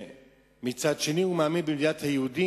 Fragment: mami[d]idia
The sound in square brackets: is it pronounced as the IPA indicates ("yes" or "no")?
no